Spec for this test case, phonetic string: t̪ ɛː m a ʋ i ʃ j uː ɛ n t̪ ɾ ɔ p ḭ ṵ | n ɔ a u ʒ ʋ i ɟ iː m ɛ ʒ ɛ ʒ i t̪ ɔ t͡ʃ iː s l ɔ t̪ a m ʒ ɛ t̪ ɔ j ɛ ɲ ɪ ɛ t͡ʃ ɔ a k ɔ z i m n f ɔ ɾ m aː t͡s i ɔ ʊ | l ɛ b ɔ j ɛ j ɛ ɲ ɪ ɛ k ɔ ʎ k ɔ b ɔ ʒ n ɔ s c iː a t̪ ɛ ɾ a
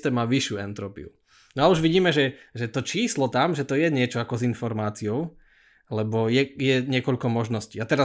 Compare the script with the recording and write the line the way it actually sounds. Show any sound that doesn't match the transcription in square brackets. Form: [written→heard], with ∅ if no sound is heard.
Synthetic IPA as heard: t̪ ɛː m a ʋ i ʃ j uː ɛ n t̪ ɾ ɔ p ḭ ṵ | n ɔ a u ʒ ʋ i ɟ iː m ɛ ʒ ɛ ʒ [i→ɛ] t̪ ɔ t͡ʃ iː s l ɔ t̪ a m ʒ ɛ t̪ ɔ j ɛ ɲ ɪ ɛ t͡ʃ ɔ a k ɔ z i [m→∅] n f ɔ ɾ m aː t͡s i ɔ ʊ | l ɛ b ɔ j ɛ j ɛ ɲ ɪ ɛ k ɔ ʎ k ɔ [b→m] ɔ ʒ n ɔ s c iː a t̪ ɛ ɾ a